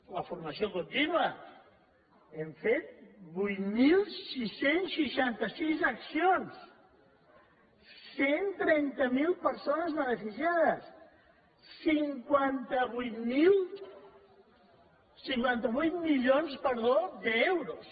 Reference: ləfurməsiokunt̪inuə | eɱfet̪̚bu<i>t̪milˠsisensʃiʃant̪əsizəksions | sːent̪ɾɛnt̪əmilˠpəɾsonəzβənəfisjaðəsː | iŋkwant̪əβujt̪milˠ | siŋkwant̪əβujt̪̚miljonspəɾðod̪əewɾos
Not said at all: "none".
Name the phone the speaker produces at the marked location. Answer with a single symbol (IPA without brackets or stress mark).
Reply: j